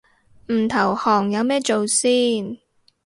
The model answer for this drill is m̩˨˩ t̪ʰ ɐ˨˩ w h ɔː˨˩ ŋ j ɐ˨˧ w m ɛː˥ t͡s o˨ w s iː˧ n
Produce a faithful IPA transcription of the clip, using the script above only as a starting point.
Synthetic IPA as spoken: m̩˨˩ t̪ʰ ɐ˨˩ w h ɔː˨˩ ŋ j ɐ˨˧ w m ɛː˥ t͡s o˨ w s iː˥ n

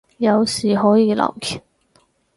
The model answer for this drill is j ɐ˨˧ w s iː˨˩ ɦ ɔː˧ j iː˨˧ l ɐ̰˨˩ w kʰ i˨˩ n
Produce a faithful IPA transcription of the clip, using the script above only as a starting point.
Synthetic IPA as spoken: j ɐ˨˧ w s iː˨˩ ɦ ɔː˨˥ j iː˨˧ l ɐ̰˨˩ w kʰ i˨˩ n

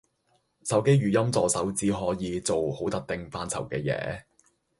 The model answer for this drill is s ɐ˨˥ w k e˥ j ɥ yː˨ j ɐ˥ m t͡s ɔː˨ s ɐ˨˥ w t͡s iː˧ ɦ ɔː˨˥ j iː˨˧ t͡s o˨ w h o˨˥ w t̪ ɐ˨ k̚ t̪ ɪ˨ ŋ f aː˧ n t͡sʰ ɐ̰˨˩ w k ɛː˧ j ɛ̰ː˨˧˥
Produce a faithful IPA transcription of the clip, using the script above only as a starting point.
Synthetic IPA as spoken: s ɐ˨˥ w k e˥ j ɥ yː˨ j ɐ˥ m t͡s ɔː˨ s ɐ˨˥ w t͡s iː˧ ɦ ɔː˨˥ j iː˨˧ t͡s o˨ w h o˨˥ w t̪ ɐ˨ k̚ t̪ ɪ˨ ŋ f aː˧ n t͡sʰ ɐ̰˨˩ w k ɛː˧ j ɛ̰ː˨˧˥

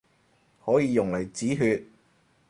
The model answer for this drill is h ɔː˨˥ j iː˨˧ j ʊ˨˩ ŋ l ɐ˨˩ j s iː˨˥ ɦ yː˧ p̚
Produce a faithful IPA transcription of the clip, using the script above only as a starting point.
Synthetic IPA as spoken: h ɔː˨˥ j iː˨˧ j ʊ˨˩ ŋ l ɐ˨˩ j t͡s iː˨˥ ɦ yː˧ t̚

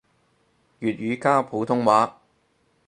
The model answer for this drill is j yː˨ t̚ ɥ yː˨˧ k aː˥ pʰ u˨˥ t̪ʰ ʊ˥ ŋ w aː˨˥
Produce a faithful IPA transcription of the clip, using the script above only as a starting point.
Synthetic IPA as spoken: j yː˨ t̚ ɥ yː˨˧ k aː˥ pʰ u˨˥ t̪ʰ ʊ˥ ŋ w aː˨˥

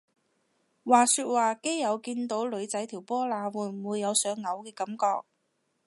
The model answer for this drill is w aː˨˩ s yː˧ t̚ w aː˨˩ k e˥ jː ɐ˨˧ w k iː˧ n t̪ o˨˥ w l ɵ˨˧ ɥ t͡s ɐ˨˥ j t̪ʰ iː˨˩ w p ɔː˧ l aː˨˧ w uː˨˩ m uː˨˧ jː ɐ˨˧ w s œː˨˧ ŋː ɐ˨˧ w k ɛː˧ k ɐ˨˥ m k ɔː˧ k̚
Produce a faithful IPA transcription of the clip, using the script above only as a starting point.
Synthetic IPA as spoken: w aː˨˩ s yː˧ t̚ w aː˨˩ k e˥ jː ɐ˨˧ w k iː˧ n t̪ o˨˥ w l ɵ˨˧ ɥ t͡s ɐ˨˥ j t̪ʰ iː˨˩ w p ɔː˥ l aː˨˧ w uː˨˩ m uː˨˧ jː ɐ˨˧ w s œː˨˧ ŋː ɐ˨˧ w k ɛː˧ k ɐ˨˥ m k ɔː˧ k̚

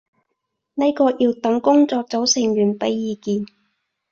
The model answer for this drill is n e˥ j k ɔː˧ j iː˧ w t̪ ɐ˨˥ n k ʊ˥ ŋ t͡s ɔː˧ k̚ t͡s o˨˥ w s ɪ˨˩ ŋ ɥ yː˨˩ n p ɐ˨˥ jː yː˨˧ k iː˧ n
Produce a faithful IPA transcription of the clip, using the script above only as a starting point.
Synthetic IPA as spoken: n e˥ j k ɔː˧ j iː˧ w t̪ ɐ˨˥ ŋ k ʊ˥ ŋ t͡s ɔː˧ k̚ t͡s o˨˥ w s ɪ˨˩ ŋ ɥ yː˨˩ n p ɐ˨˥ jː iː˨˧ k iː˧ n

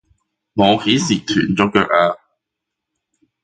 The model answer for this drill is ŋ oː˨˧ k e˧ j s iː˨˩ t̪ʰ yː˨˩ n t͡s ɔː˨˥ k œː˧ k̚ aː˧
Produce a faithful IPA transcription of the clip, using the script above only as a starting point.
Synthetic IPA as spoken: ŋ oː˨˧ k e˨˥ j s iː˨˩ t̪ʰ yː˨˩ n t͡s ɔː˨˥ k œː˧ k̚ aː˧

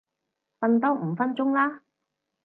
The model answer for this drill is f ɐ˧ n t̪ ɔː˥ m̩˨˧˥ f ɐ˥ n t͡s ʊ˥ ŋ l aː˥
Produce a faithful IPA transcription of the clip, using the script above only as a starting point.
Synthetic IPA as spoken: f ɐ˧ n t̪ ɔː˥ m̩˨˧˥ f ɐ˥ n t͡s ʊ˥ ŋ l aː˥

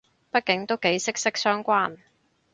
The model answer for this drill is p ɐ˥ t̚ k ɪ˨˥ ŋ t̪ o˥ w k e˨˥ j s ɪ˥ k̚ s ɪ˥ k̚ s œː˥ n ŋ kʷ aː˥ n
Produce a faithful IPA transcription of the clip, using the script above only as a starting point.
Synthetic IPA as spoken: p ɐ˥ t̚ k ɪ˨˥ ŋ t̪ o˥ w k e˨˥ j s ɪ˥ k̚ s ɪ˥ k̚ s œː˥ ŋ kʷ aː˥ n

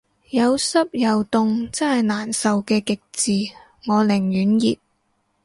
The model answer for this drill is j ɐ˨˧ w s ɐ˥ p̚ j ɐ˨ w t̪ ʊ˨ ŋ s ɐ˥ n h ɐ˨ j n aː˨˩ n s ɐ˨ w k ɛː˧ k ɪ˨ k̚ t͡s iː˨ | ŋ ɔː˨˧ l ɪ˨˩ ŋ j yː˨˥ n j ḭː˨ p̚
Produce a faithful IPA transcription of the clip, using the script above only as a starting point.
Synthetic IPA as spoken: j ɐ˨˧ w s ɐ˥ p̚ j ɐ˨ w t̪ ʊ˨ ŋ t͡s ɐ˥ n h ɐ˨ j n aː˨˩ n s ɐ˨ w k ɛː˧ k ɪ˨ k̚ t͡s iː˨ | ŋ ɔː˨˧ l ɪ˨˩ ŋ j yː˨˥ n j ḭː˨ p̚

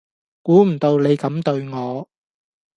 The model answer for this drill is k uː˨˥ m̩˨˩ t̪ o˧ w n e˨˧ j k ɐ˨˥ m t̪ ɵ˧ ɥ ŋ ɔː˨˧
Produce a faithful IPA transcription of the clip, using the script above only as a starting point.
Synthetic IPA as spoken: k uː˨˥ m̩˨˩ t̪ o˧ w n e˨˧ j k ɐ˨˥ m t̪ ɵ˧ ɥ ŋ ɔː˨˧

